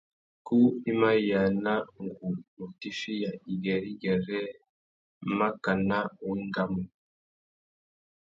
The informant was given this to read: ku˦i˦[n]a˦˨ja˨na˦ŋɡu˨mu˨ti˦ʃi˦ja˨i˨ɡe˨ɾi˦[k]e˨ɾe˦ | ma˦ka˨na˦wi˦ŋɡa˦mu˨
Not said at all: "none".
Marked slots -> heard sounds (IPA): m, ɡ

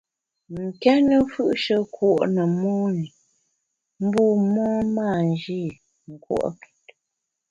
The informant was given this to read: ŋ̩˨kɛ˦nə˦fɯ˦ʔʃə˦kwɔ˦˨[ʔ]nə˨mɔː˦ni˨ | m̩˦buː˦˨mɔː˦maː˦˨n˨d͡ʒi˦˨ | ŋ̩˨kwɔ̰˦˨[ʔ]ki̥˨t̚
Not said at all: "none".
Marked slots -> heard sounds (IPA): ʔ, ʔ

